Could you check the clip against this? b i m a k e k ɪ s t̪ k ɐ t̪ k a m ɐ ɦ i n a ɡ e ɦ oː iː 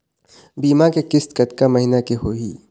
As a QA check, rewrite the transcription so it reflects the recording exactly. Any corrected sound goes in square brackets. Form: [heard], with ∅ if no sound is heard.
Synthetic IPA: b [iː] m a k e k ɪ s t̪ k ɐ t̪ k a m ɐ ɦ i n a [k] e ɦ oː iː